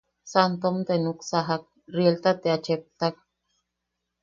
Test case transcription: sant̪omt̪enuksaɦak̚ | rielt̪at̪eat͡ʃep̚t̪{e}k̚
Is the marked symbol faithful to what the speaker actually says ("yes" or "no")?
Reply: no